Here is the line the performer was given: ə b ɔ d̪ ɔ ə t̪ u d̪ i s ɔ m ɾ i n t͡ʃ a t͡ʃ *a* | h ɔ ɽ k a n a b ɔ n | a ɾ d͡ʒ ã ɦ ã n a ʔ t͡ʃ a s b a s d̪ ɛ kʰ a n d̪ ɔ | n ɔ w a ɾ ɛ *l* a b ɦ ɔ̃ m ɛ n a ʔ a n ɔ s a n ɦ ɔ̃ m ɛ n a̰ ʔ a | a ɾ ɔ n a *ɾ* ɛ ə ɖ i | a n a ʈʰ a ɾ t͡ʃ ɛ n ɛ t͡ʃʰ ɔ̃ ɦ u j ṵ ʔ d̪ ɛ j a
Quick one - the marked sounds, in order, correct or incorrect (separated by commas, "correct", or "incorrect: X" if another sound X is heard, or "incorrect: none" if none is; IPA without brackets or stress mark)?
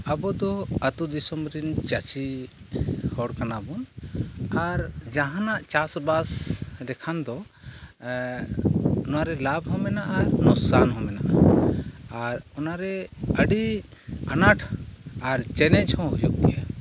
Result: incorrect: i, correct, correct